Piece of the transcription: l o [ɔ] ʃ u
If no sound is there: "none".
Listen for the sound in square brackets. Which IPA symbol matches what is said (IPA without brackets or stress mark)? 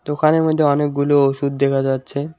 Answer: o